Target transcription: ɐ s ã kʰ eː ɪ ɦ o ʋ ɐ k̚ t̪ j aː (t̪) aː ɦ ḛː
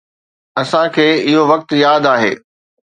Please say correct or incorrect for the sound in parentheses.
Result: incorrect